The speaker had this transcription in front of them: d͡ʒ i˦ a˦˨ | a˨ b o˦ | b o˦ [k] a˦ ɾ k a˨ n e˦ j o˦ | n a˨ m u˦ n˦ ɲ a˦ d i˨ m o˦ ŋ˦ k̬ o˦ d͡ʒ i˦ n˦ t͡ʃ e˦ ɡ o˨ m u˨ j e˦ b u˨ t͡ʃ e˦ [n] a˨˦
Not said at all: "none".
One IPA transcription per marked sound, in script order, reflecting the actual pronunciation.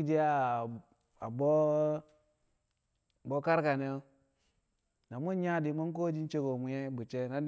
k, n

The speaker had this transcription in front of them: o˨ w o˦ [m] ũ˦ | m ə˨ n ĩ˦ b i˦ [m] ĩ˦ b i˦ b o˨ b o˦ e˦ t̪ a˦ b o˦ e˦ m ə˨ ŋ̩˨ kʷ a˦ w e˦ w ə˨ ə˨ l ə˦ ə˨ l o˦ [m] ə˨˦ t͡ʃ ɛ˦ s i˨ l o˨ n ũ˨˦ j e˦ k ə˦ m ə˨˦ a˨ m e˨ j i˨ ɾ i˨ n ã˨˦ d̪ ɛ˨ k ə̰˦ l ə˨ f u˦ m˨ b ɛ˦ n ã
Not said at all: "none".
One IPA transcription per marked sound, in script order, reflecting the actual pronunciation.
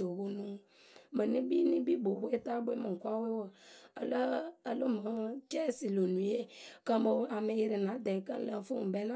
n, n, m

